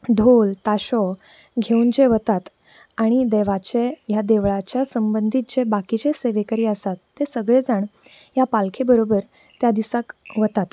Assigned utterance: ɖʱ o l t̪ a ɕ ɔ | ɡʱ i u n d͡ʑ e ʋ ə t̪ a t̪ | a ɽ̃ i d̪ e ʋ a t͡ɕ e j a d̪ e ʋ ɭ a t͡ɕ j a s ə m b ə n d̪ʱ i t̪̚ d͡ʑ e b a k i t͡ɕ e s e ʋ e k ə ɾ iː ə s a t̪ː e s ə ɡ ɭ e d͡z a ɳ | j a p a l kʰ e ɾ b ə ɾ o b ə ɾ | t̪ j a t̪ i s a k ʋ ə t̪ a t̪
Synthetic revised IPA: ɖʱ o l t̪ a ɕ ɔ | ɡʱ e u n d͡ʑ e ʋ ə t̪ a t̪ | a ɽ̃ i d̪ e ʋ a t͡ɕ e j a d̪ e ʋ ɭ a t͡ɕ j a s ə m b ə n d̪ʱ i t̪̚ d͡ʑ e b a k i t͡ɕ e s e ʋ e k ə ɾ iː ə s a t̪ː e s ə ɡ ɭ e d͡z a ɳ | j a p a l kʰ e b ə ɾ o b ə ɾ | t̪ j a d̪ i s a k ʋ ə t̪ a t̪